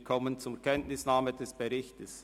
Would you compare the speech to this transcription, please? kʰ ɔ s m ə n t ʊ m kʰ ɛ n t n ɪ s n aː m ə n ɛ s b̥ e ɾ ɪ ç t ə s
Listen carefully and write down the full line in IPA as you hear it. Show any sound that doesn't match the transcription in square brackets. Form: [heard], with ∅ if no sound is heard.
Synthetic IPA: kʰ ɔ [∅] m ə n [t͡s] ʊ m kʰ ɛ n t n ɪ s n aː m ə [d] ɛ s b̥ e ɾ ɪ ç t ə s